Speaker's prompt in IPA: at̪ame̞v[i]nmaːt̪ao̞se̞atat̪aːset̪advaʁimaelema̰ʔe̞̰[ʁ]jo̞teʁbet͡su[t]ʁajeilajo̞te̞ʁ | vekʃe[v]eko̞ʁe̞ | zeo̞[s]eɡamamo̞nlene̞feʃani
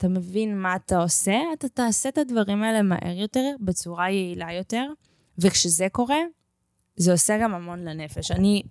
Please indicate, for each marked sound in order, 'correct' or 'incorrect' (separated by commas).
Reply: correct, correct, incorrect, incorrect, correct